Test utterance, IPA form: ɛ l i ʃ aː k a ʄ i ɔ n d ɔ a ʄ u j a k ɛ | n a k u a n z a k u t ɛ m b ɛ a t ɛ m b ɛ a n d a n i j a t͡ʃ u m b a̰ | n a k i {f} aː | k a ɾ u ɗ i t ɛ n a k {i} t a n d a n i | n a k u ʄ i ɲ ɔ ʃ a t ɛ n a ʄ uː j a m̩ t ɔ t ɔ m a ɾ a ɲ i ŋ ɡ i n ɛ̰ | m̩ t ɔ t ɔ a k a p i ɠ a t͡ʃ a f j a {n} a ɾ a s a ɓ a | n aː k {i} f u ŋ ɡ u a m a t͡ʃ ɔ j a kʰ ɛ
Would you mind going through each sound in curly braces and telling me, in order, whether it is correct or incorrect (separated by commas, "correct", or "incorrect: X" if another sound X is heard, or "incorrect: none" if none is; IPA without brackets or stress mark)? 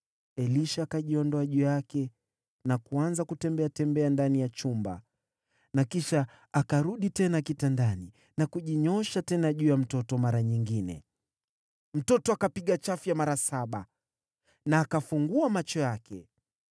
incorrect: ʃ, correct, incorrect: m, incorrect: a